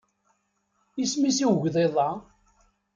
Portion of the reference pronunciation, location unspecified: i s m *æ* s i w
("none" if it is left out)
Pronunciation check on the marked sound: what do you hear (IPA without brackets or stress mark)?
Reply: i